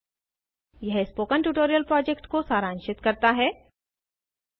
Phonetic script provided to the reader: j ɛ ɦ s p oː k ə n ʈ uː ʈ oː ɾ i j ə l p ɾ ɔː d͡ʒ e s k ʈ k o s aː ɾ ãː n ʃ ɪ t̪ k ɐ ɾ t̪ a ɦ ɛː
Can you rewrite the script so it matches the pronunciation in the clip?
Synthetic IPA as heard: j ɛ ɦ s p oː k ə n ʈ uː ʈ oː ɾ i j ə l p ɾ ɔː d͡ʒ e k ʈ k o s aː ɾ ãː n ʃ ɪ t̪ k ɐ ɾ t̪ a ɦ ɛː